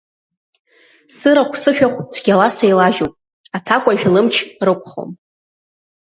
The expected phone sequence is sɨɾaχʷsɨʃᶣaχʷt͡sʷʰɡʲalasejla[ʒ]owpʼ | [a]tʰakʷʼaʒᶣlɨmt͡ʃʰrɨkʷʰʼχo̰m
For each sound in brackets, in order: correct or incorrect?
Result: correct, correct

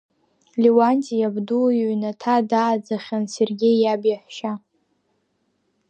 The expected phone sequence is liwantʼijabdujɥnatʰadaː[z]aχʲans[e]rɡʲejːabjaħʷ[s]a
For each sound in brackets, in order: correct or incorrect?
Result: incorrect: d͡z, correct, incorrect: ʃ

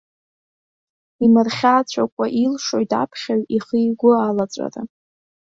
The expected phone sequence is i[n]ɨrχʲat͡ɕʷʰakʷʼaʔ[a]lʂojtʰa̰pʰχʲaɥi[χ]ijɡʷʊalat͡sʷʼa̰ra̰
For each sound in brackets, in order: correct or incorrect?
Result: incorrect: m, incorrect: i, correct

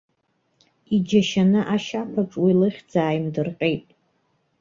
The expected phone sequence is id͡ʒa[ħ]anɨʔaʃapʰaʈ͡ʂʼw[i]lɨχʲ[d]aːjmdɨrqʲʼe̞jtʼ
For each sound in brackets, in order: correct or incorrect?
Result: incorrect: ʃ, correct, incorrect: d͡z

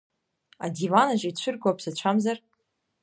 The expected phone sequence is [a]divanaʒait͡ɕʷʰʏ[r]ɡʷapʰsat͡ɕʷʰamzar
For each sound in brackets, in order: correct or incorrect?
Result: correct, correct

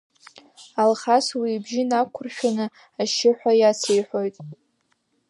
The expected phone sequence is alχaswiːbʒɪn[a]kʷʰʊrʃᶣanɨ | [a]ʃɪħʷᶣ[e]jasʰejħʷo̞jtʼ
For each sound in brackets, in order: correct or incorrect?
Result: correct, correct, incorrect: a

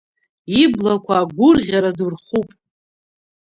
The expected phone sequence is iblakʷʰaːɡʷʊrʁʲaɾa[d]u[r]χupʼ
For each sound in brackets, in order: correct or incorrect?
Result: correct, correct

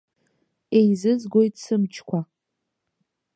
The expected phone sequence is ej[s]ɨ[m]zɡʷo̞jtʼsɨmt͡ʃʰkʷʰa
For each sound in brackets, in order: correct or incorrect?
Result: incorrect: z, incorrect: none

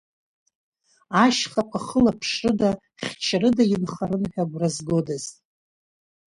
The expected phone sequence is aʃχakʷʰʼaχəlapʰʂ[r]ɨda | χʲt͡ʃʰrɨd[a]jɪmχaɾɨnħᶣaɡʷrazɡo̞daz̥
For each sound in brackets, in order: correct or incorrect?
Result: correct, correct

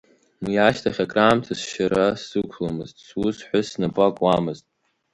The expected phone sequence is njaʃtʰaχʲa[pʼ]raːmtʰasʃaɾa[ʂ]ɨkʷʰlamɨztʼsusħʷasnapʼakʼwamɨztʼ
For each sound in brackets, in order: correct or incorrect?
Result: incorrect: kʼ, incorrect: s

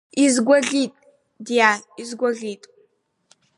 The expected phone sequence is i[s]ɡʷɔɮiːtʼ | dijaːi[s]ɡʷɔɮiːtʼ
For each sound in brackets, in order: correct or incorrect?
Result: incorrect: z, incorrect: z

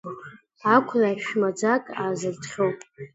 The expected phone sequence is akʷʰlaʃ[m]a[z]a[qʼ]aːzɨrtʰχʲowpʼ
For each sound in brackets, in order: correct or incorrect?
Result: correct, incorrect: d͡z, incorrect: kʼ

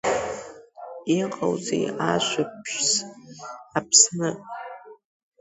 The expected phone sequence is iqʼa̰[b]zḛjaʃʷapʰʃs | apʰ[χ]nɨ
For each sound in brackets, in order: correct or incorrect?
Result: incorrect: w, incorrect: s

